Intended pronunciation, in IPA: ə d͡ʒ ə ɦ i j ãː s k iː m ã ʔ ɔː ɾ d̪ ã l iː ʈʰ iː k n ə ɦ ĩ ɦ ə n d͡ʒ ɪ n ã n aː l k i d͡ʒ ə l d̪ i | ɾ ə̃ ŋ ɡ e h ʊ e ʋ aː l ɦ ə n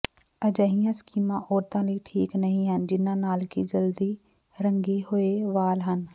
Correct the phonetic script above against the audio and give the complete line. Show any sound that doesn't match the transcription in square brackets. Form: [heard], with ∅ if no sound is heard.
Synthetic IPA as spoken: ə d͡ʒ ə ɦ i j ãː s k iː m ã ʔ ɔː ɾ [t̪] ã l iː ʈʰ iː k n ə ɦ ĩ ɦ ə n d͡ʒ ɪ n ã n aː l k i d͡ʒ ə l d̪ i | ɾ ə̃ ŋ ɡ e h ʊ e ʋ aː l ɦ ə n